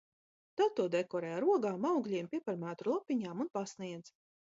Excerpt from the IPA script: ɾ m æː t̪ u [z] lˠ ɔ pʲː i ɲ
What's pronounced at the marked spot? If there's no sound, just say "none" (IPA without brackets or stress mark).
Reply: none